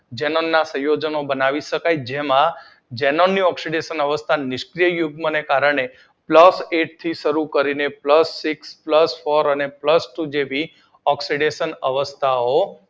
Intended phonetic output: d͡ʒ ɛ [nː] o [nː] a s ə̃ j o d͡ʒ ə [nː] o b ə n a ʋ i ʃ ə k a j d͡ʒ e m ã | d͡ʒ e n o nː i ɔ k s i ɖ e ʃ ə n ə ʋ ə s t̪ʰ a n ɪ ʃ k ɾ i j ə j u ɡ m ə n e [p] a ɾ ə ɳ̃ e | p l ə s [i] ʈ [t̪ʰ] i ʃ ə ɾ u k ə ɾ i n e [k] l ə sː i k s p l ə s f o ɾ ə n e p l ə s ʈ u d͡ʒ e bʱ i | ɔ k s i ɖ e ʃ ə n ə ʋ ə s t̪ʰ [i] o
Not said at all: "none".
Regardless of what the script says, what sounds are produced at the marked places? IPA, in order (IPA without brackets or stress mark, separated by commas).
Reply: n, nː, n, k, e, t̪ʰ, p, a